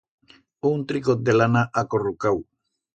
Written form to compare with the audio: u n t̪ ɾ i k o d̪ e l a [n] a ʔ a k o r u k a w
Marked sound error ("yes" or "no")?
no